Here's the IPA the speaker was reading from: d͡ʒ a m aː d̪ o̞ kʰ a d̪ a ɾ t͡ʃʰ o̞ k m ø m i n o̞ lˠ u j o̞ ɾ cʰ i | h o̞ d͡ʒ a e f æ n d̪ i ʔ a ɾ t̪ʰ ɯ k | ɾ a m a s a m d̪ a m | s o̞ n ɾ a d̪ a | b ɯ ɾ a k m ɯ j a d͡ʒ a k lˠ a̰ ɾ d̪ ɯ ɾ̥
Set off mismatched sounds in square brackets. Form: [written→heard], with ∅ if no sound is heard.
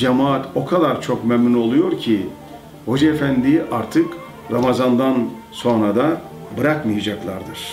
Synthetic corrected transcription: d͡ʒ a m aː [d̪→t̪] o̞ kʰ a d̪ a ɾ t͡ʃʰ o̞ k m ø m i n o̞ lˠ u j o̞ ɾ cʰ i | h o̞ d͡ʒ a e f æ n d̪ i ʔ a ɾ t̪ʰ ɯ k | ɾ a m a [s→z] a [m→n] d̪ a [m→n] | s o̞ n ɾ a d̪ a | b ɯ ɾ a k m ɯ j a d͡ʒ a k lˠ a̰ ɾ d̪ ɯ ɾ̥